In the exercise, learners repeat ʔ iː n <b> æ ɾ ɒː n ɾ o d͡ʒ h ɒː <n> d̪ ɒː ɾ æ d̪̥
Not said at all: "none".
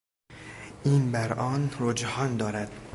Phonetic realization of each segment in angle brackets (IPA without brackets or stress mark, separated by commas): b, n